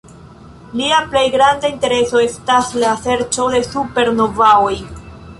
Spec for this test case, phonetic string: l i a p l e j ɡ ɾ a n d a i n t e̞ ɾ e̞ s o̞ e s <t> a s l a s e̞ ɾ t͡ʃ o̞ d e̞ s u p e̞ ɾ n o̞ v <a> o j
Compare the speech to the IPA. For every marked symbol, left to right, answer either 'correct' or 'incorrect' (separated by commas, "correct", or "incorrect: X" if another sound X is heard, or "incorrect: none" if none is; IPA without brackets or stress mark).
correct, correct